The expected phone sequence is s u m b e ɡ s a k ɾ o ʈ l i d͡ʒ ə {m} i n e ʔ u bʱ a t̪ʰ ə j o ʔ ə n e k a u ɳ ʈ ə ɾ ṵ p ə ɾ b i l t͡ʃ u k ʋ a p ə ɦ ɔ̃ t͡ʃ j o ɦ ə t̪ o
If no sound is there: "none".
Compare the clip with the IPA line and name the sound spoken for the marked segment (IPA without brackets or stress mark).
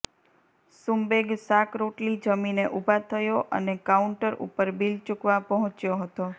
m